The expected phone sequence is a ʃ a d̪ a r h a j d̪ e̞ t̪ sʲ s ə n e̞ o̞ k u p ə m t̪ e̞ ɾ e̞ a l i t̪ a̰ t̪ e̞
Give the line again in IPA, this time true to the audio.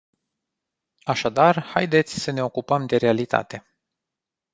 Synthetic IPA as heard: a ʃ a d̪ a r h a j d̪ e̞ t̪ sʲ s ə n e̞ o̞ k u p ə m d̪ e̞ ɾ e̞ a l i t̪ a̰ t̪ e̞